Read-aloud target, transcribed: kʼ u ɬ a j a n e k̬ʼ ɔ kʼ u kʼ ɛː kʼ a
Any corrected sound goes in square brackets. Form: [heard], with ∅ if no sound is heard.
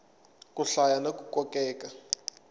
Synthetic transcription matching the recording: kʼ u ɬ a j a n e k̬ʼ [u] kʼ [ɔ] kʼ ɛː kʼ a